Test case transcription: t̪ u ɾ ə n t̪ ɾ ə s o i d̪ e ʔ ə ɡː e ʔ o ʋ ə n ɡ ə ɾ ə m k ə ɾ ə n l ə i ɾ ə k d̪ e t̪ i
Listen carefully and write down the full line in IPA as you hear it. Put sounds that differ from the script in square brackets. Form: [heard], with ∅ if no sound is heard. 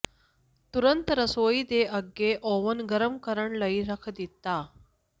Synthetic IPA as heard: t̪ u ɾ ə n t̪ ɾ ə s o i d̪ e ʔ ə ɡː e ʔ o ʋ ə n ɡ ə ɾ ə m k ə ɾ ə [ɳ] l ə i ɾ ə [kʰ] d̪ [i] t̪ [a]